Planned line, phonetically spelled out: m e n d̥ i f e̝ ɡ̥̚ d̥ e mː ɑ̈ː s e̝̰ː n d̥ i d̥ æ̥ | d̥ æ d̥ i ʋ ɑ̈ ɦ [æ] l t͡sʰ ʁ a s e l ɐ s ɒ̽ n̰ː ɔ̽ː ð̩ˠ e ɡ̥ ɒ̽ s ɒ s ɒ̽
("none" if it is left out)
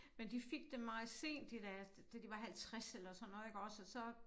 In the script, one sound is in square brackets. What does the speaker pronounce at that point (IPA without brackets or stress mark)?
æ